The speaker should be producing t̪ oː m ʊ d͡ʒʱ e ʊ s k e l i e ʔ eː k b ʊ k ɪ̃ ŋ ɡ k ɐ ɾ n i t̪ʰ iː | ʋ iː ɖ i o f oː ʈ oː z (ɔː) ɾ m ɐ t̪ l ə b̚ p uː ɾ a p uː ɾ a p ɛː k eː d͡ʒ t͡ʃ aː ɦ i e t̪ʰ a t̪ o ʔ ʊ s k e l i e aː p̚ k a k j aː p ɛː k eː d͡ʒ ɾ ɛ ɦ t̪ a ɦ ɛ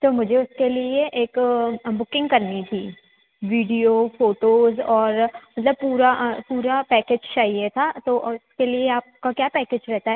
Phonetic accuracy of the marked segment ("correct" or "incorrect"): correct